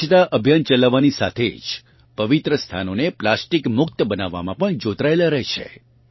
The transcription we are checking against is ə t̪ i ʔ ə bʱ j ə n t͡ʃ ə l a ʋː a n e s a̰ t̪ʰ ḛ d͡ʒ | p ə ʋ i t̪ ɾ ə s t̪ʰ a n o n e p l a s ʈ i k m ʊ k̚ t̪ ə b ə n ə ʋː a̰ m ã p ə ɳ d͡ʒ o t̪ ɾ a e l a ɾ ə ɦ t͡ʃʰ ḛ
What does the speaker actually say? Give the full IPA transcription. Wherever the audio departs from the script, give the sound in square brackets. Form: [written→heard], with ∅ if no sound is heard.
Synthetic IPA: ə t̪ [i→a] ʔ ə bʱ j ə n t͡ʃ ə l a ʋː a n [e→i] s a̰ t̪ʰ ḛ d͡ʒ | p ə ʋ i t̪ ɾ ə s t̪ʰ a n o n e p l a s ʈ i k m ʊ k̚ t̪ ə b ə n [ə→a] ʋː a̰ m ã p ə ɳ d͡ʒ o t̪ ɾ a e l a ɾ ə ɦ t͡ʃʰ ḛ